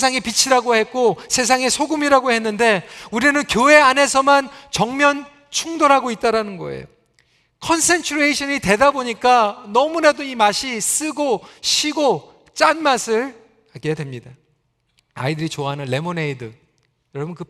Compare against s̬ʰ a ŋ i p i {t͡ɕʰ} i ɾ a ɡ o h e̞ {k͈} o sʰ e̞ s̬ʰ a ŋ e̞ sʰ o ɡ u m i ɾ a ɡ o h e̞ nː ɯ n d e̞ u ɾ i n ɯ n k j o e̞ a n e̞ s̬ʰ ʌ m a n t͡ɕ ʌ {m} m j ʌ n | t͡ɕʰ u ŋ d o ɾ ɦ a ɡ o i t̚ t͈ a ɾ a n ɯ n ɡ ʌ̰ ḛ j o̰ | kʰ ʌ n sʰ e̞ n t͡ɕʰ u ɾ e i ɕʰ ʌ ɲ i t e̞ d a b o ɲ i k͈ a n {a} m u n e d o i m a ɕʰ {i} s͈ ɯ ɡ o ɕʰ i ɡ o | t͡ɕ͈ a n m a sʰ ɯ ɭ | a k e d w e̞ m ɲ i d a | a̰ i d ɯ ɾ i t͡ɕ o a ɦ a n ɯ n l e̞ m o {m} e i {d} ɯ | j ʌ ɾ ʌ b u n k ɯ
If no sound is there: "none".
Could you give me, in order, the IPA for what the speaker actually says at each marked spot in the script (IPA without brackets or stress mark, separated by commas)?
t͡ɕʰ, k͈, ŋ, ʌ, i, n, d